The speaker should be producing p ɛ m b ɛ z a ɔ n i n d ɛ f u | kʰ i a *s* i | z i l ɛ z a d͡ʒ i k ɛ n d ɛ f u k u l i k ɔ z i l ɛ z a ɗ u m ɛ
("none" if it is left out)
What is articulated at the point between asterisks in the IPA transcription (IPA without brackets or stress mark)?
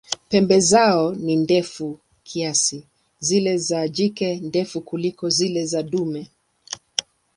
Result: s